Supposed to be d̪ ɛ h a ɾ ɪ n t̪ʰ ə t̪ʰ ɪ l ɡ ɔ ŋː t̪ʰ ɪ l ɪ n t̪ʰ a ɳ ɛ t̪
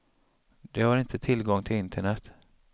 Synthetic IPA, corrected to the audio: d̪ ɛ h a ɾ ɪ n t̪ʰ ə t̪ʰ ɪ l ɡ ɔ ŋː t̪ʰ ɪ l ɪ n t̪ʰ ə ɳ ɛ t̪